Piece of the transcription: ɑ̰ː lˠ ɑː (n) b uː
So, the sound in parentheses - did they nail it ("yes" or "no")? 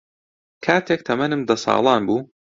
yes